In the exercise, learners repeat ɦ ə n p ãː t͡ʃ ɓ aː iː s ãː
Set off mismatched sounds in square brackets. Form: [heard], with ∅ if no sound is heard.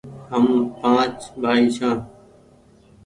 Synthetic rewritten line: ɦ ə [m] p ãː t͡ʃ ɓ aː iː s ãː